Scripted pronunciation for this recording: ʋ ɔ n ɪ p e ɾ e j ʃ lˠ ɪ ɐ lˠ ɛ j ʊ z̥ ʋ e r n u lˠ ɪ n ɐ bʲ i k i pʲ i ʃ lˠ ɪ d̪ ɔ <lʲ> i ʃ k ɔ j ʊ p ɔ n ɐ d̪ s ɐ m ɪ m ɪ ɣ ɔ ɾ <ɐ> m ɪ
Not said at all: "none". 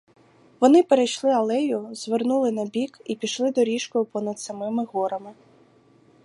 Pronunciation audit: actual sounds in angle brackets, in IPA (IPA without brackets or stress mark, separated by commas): ɾʲ, ɐ